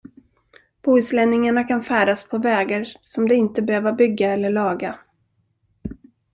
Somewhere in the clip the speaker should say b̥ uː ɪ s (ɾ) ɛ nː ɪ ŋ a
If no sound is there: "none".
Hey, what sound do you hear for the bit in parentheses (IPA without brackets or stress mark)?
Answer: l